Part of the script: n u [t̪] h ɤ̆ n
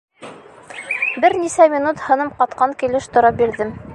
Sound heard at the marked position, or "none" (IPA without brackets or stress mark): t̪